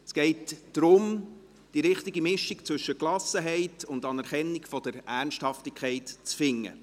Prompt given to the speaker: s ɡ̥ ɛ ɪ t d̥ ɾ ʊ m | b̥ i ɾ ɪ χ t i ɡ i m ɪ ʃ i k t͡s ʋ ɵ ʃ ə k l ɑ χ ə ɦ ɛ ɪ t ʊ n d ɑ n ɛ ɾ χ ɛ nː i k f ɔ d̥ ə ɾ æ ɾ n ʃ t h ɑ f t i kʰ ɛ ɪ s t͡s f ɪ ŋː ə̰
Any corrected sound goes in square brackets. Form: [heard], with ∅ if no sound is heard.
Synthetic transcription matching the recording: s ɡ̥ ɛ ɪ t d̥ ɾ ʊ m | [d̥] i ɾ ɪ χ t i ɡ i m ɪ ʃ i k t͡s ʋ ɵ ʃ ə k l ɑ [s] ə ɦ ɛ ɪ t ʊ n d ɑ n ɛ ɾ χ ɛ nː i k f ɔ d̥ ə ɾ æ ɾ n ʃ t h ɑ f t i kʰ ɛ ɪ [t] t͡s f ɪ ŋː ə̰